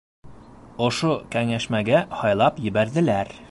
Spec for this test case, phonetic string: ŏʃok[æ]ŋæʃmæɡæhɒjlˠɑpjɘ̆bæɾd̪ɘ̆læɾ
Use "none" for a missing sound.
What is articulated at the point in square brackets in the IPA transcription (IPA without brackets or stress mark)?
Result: æ